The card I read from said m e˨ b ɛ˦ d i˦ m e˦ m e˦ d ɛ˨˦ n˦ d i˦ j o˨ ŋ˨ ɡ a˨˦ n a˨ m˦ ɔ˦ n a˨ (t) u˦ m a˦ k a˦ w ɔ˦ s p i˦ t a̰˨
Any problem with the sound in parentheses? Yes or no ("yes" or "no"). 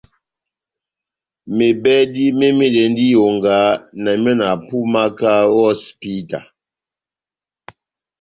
yes